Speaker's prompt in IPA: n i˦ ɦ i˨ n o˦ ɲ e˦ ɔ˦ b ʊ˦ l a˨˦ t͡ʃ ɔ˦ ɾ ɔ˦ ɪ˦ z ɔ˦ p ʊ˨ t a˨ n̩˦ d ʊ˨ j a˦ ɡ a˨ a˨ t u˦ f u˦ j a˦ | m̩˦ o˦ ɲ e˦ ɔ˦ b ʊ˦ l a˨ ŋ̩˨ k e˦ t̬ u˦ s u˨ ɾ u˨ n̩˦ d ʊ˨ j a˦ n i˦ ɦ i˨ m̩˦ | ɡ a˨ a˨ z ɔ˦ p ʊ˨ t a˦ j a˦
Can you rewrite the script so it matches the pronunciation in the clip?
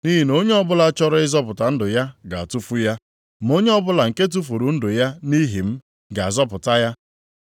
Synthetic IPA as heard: n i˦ ɦ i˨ n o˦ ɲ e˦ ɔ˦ b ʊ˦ l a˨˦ t͡ʃ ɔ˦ ɾ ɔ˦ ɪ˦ z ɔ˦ p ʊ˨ t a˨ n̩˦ d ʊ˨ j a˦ ɡ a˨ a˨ t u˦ f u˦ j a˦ | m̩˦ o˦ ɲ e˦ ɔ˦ b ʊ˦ l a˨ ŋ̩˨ k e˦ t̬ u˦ f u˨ ɾ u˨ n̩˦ d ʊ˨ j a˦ n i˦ ɦ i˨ m̩˦ | ɡ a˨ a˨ z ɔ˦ p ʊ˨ t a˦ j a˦

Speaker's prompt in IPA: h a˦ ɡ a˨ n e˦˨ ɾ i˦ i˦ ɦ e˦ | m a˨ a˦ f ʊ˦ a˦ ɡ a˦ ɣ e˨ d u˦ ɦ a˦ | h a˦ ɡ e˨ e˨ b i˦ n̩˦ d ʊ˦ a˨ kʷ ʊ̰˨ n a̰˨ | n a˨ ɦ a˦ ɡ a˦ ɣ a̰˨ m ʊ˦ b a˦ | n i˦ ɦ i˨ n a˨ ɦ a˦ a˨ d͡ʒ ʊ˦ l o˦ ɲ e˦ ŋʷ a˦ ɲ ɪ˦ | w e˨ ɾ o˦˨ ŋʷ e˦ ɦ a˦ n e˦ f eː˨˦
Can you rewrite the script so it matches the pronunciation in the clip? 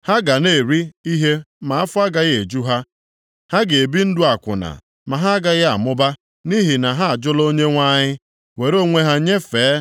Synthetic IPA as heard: h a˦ ɡ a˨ n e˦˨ ɾ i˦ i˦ ɦ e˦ | m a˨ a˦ f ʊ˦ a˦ ɡ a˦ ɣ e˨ d͡ʒ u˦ ɦ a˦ | h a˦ ɡ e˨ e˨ b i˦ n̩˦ d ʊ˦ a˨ kʷ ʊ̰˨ n a̰˨ | m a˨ ɦ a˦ ɡ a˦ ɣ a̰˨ m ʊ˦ b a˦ | n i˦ ɦ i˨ n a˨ ɦ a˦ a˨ d͡ʒ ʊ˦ l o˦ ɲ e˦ ŋʷ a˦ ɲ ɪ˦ | w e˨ ɾ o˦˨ ŋʷ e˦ ɦ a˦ ɲ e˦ f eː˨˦

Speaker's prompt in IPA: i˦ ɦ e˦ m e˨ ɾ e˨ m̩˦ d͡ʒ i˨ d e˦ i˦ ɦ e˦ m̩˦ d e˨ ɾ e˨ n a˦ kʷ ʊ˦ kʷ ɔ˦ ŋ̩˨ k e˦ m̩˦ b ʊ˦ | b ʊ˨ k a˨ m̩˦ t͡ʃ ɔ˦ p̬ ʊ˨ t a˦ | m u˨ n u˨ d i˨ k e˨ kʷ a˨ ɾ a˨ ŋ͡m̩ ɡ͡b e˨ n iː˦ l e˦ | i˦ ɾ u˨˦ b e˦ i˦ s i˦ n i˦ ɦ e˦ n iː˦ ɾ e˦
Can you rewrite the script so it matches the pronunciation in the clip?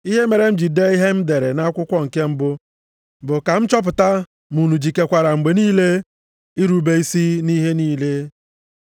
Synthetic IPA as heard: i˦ ɦ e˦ m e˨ ɾ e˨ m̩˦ d͡ʒ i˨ d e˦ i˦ ɦ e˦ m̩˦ d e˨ ɾ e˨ n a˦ kʷ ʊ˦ kʷ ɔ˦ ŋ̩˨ k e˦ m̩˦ b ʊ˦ | b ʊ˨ k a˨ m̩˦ t͡ʃ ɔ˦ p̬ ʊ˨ t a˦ | m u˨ n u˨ d͡ʒ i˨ k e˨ kʷ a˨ ɾ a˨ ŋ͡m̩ ɡ͡b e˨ n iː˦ l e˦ | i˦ ɾ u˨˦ b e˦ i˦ s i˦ n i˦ ɦ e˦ n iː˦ l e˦

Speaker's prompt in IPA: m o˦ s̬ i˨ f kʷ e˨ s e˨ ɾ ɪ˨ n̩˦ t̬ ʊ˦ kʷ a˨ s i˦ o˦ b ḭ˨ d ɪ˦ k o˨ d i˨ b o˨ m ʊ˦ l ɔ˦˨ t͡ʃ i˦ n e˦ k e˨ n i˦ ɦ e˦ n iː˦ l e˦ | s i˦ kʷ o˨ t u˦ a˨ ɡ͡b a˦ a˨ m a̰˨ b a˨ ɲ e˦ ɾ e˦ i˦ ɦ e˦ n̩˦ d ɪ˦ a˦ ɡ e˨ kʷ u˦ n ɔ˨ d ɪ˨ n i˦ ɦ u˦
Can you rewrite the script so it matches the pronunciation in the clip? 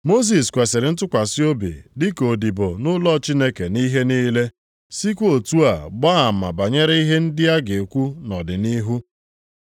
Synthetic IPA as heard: m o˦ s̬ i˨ s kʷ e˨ s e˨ ɾ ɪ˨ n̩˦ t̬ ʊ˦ kʷ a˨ s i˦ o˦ b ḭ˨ d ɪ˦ k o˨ d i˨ b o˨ n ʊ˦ l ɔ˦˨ t͡ʃ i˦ n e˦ k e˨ n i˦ ɦ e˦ n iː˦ l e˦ | s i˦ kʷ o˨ t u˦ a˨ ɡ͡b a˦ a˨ m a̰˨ b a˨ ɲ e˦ ɾ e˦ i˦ ɦ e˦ n̩˦ d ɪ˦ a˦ ɡ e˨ kʷ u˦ n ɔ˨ d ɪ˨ n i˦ ɦ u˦

